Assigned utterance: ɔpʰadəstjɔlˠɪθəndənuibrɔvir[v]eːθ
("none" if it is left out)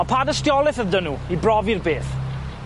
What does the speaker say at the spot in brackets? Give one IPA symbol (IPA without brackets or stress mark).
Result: b